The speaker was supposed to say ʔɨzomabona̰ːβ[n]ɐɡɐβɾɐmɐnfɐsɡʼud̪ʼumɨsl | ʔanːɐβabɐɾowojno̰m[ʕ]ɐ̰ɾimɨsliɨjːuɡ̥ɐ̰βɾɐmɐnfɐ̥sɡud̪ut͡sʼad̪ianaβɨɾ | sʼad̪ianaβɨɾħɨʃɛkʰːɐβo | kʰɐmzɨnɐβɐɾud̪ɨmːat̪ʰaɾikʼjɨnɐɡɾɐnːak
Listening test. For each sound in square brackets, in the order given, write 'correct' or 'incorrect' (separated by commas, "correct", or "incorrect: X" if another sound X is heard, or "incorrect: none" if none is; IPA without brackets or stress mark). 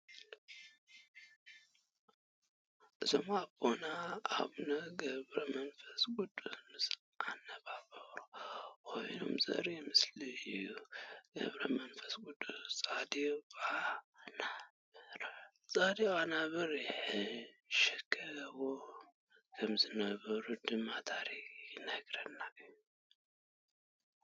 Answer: correct, incorrect: z